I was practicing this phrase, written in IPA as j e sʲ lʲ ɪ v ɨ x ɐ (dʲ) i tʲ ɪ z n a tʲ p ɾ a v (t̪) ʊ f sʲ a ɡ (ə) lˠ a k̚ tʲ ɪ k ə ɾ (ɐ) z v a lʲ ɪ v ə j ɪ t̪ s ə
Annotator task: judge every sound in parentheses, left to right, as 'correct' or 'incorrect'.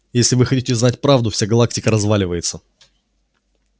incorrect: tʲ, incorrect: d̪, incorrect: ɐ, correct

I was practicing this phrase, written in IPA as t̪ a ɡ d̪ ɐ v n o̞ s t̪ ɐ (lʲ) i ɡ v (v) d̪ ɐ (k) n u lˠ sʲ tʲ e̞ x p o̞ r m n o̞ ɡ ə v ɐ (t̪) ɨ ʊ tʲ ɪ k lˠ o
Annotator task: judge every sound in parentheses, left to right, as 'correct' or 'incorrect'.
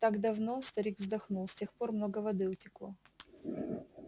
incorrect: ɾʲ, incorrect: z, incorrect: x, incorrect: d̪

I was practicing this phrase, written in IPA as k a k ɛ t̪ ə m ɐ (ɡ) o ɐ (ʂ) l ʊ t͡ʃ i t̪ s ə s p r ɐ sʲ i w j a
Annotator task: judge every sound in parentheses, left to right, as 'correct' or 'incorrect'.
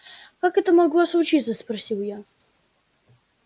correct, incorrect: s

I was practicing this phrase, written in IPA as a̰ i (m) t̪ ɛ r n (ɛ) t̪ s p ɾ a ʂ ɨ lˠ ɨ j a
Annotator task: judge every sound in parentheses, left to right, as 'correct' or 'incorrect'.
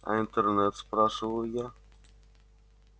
incorrect: n, correct

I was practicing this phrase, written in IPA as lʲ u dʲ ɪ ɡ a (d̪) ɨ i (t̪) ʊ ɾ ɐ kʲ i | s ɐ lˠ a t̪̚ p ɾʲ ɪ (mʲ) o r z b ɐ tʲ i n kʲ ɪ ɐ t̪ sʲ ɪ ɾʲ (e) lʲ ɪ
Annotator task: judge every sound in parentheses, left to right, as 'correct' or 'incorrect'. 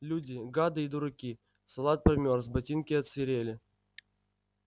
correct, incorrect: d̪, correct, correct

